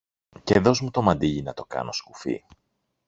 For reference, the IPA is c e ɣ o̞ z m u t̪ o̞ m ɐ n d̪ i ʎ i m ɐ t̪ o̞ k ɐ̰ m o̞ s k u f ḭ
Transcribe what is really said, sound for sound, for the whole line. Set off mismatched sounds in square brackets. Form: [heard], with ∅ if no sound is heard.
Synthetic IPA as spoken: c e [ð] o̞ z m u t̪ o̞ m ɐ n d̪ i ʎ i [n] ɐ t̪ o̞ k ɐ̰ [n] o̞ s k u f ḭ

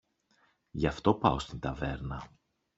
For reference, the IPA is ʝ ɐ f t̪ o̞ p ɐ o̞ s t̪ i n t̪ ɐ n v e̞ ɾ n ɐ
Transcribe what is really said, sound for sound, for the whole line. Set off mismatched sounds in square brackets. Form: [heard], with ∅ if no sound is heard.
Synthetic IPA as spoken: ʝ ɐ f t̪ o̞ p ɐ o̞ s t̪ i n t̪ ɐ [∅] v e̞ ɾ n ɐ

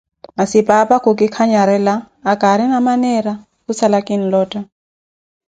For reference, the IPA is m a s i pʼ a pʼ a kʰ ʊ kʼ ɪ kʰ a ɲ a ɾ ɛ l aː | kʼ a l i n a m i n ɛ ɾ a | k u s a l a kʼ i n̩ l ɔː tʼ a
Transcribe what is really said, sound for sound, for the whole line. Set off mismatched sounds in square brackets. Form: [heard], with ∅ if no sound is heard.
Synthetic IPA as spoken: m a s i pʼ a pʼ a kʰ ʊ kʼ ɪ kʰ a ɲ a ɾ ɛ l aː | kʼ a [ɾ] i n a m [a] n ɛ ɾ a | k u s a l a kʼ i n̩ l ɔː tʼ a

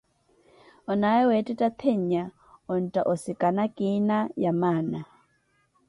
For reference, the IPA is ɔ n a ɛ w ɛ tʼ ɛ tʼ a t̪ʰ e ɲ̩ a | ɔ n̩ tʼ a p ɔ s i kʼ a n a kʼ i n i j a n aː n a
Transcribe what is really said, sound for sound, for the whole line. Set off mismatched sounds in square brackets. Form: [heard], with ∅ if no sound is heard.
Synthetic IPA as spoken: ɔ n a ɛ w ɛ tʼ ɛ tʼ a t̪ʰ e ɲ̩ a | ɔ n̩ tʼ a [ʔ] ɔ s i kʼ a n a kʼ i n [a] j a [m] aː n a

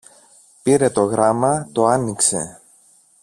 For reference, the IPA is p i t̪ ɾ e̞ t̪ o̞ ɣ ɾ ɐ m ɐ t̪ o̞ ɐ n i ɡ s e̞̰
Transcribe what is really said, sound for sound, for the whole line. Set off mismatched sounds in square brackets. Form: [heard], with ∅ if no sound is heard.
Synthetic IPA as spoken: p i [∅] ɾ e̞ t̪ o̞ ɣ ɾ ɐ m ɐ t̪ o̞ ɐ n i [k] s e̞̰

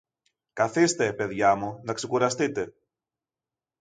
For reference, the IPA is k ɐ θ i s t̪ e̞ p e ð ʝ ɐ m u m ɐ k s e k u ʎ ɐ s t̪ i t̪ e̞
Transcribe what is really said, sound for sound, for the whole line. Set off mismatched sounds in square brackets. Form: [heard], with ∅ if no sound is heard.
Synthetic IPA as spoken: k ɐ θ i s t̪ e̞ p e ð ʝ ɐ m u [n] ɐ k s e k u [ɾ] ɐ s t̪ i t̪ e̞

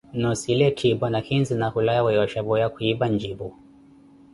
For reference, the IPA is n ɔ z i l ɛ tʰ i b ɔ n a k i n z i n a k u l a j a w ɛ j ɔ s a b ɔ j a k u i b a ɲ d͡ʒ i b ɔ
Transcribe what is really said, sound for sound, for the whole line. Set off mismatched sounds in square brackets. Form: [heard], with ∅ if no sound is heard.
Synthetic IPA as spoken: n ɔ [s] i l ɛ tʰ i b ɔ n a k i n z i n a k u l a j a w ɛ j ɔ [ʃ] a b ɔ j a k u i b a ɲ d͡ʒ i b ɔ

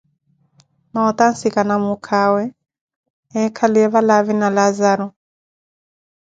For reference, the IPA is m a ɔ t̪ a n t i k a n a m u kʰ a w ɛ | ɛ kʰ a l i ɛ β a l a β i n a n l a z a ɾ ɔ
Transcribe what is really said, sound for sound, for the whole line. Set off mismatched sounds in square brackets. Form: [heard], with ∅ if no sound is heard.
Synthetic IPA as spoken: m a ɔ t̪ a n [s] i k a n a m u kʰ a w ɛ | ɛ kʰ a l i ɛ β a l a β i n a [∅] l a z a ɾ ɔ

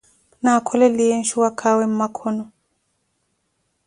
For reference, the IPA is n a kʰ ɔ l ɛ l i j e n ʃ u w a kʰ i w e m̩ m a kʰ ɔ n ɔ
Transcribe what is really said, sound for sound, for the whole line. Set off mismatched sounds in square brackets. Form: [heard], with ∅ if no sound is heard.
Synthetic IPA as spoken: n a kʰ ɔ l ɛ l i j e n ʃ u w a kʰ [a] w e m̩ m a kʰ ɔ n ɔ

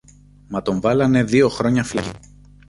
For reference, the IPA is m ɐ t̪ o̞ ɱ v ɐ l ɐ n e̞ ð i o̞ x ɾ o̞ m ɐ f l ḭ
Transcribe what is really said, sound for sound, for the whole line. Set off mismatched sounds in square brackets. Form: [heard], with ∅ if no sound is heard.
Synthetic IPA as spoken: m ɐ t̪ o̞ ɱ v ɐ l ɐ n e̞ ð i o̞ x ɾ o̞ [ɲ] ɐ f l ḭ

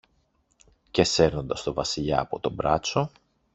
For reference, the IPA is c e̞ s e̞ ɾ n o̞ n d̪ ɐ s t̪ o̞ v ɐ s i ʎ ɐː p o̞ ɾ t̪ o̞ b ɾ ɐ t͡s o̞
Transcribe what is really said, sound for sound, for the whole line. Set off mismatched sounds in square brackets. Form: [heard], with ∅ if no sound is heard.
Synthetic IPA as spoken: c e̞ s e̞ ɾ n o̞ n d̪ ɐ s t̪ o̞ v ɐ s i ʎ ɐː p o̞ [∅] t̪ o̞ b ɾ ɐ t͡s o̞

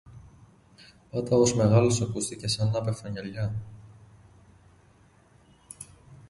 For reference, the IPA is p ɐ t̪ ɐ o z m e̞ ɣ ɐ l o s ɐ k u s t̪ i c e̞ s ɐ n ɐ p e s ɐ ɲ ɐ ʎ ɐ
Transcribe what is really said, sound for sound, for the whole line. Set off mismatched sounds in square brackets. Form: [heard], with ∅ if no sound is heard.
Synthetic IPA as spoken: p ɐ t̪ ɐ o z m e̞ ɣ ɐ l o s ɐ k u s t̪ i c e̞ s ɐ n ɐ p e [f] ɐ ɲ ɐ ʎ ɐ

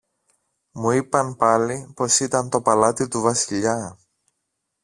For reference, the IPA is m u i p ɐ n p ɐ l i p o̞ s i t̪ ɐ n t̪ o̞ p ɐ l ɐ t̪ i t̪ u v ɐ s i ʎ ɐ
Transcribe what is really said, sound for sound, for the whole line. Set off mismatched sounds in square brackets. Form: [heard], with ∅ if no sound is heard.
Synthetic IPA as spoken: m u i p ɐ n p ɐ l i p o̞ s i t̪ ɐ n t̪ o̞ p ɐ l ɐ t̪ i t̪ u v ɐ s i ʎ ɐ

